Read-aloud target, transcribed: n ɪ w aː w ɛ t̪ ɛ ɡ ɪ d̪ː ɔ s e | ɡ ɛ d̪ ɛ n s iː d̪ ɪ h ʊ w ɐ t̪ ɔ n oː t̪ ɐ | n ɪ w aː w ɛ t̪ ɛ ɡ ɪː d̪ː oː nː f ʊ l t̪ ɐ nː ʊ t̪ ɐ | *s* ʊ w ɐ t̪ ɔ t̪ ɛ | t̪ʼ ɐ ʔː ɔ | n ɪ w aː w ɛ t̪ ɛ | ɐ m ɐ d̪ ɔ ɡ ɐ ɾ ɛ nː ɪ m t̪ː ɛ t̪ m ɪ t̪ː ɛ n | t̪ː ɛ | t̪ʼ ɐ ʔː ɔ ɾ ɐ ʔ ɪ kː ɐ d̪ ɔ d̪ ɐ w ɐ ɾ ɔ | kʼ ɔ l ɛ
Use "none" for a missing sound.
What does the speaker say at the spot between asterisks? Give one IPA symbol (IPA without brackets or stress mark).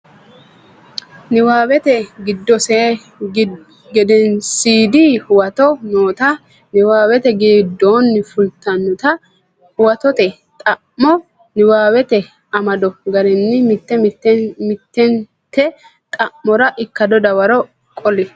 h